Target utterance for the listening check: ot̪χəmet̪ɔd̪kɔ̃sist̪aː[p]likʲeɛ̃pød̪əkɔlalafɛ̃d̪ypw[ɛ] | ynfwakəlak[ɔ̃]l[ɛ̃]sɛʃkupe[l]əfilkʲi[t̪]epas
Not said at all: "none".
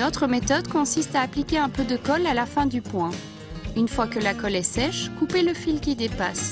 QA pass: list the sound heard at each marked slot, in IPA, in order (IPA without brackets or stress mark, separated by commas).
p, ɛ̃, ɔ, ɛ, l, d̪